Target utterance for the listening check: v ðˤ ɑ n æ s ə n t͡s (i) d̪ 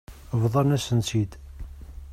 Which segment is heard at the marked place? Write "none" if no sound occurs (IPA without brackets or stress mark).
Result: i